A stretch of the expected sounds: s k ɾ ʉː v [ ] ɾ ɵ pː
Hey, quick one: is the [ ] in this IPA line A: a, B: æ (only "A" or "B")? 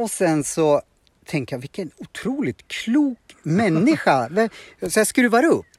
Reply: A